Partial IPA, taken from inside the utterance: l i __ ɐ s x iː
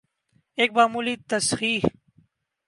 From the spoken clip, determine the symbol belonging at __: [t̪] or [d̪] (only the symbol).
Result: t̪